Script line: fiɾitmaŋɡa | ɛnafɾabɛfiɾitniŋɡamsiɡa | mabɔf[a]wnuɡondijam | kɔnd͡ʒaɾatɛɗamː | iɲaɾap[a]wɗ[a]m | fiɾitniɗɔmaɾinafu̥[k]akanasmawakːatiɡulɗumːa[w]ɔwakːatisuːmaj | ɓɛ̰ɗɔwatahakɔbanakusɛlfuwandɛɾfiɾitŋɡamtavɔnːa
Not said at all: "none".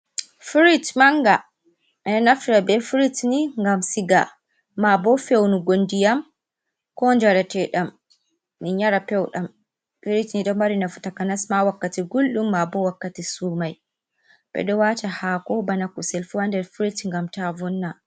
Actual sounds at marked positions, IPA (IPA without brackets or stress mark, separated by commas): e, ɛ, a, t, b